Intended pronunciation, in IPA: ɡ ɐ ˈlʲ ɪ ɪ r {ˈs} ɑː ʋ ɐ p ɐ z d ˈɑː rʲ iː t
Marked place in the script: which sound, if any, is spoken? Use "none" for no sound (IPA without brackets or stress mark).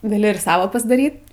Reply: s